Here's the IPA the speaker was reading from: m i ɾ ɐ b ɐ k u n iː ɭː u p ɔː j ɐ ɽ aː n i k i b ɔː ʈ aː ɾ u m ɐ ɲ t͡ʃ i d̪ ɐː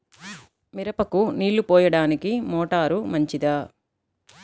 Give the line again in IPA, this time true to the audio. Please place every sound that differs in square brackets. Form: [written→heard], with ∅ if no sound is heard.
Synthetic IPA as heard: m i ɾ ɐ [b→p] ɐ k u n iː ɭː u p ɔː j ɐ ɽ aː n i k i [b→m] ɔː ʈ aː ɾ u m ɐ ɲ t͡ʃ i d̪ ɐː